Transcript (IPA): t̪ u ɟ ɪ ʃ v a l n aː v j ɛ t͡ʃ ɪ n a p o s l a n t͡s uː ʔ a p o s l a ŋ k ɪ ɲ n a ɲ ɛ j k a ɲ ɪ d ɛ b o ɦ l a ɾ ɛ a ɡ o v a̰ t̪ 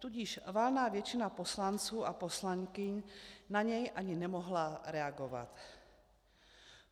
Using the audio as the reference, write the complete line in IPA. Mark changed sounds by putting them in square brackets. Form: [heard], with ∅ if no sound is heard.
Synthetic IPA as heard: t̪ u ɟ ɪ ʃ v a l n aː v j ɛ t͡ʃ ɪ n a p o s l a n t͡s uː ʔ a p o s l a ŋ k ɪ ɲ n a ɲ ɛ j [ʔ] a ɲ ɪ [n] ɛ [m] o ɦ l a ɾ ɛ a ɡ o v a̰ t̪